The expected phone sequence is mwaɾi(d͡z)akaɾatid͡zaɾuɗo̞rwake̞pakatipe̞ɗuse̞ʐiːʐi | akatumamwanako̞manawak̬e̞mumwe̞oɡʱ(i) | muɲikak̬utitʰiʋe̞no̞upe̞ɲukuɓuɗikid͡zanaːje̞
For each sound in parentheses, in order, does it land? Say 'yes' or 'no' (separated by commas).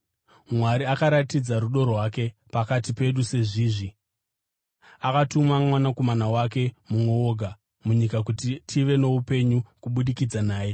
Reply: no, no